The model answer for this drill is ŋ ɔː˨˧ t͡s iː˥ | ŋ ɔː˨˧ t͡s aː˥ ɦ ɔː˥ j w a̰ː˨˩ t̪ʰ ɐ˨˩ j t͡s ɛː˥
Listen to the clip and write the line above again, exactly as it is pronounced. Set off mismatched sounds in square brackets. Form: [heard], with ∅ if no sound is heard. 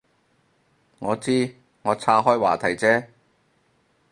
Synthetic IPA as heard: ŋ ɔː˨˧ t͡s iː˥ | ŋ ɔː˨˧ [t͡sʰ] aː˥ ɦ ɔː˥ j w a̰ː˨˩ t̪ʰ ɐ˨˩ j t͡s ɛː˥

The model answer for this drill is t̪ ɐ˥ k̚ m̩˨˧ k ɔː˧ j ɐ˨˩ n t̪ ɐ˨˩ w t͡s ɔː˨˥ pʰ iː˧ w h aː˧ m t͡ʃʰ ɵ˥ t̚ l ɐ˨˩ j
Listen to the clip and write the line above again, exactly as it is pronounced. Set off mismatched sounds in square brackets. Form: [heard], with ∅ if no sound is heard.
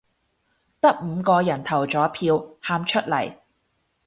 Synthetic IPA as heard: t̪ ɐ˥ k̚ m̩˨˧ k ɔː˧ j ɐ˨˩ n [t̪ʰ] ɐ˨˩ w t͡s ɔː˨˥ pʰ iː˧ w h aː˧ m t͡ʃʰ ɵ˥ t̚ l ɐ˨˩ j

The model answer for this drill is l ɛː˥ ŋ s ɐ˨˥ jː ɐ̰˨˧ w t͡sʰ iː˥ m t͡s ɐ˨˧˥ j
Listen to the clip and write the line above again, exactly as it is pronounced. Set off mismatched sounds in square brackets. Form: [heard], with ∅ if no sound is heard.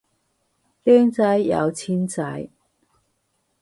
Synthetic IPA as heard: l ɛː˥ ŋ [t͡s] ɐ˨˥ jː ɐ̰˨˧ w t͡sʰ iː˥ [n] t͡s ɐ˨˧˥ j

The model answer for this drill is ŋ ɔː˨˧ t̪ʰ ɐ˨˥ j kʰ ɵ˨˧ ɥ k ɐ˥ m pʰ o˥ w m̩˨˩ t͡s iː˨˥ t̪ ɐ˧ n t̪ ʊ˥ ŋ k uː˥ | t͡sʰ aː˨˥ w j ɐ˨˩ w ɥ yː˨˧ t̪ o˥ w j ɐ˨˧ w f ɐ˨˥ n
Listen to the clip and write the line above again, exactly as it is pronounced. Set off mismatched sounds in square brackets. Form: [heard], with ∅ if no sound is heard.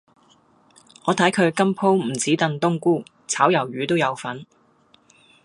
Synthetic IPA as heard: ŋ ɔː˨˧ t̪ʰ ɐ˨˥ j kʰ ɵ˨˧ ɥ k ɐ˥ m pʰ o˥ w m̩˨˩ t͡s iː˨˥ t̪ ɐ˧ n t̪ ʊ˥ ŋ k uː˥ | t͡sʰ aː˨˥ w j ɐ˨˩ w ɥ yː˨˧ t̪ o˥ w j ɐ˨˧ w f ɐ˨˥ n

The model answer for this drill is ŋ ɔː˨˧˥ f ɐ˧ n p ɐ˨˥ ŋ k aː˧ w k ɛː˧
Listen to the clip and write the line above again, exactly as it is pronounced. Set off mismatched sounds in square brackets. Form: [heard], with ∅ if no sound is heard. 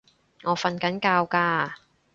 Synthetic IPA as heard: ŋ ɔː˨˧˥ f ɐ˧ n [k] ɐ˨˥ [n] k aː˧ w k [aː˧]

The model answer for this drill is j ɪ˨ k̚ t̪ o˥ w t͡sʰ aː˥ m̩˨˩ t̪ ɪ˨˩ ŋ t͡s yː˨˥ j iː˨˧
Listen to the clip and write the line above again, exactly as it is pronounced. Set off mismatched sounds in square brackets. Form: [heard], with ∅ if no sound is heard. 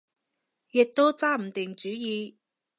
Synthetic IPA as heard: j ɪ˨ k̚ t̪ o˥ w [t͡s] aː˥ m̩˨˩ t̪ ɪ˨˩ ŋ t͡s yː˨˥ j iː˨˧

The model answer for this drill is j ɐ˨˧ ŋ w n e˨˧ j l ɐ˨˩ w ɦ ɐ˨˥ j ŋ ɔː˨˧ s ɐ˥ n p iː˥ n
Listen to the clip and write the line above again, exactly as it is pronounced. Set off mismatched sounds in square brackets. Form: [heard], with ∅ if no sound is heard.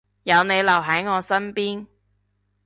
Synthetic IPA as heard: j ɐ˨˧ [∅] w n e˨˧ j l ɐ˨˩ w ɦ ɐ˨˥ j ŋ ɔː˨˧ s ɐ˥ n p iː˥ n

